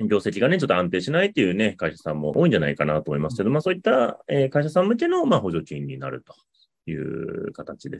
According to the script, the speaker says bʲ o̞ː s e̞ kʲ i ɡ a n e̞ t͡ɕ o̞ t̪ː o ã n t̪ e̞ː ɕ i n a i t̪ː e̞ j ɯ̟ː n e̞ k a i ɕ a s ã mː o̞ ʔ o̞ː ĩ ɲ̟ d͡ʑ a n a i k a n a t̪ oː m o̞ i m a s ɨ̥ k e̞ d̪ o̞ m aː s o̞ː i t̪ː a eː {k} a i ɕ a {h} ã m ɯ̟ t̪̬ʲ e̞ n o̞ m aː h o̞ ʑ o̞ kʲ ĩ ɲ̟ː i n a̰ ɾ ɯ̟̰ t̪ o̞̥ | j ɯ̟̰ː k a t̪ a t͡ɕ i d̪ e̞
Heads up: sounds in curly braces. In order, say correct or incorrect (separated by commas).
correct, incorrect